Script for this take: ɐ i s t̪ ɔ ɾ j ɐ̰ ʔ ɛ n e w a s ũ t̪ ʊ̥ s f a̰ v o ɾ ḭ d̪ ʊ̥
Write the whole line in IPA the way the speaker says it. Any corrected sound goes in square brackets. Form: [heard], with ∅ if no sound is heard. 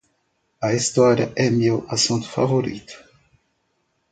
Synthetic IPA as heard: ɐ i s t̪ ɔ ɾ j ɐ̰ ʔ ɛ [m] e w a s ũ t̪ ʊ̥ [∅] f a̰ v o ɾ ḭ [t̪] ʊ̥

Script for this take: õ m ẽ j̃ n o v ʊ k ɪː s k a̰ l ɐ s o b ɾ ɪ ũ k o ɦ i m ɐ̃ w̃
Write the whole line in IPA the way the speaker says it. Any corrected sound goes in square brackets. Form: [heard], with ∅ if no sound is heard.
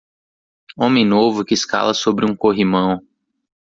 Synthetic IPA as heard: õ m ẽ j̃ n o v ʊ k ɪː s k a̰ l ɐ s o b ɾ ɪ ũ k o ɦ i m ɐ̃ w̃

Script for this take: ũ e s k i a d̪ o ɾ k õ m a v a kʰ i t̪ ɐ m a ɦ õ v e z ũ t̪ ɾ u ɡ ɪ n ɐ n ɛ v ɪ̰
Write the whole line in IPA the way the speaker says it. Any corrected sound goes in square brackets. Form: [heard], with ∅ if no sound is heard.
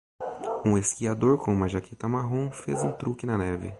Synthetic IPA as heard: ũ e s k i a d̪ o ɾ k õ m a [ʒ] a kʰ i t̪ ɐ m a ɦ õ [f] e z ũ t̪ ɾ u [k] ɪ n ɐ n ɛ v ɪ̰

